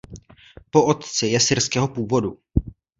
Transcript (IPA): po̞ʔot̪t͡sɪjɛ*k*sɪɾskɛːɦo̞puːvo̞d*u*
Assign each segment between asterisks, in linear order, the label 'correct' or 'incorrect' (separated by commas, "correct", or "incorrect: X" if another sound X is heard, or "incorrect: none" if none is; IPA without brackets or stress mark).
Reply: incorrect: none, correct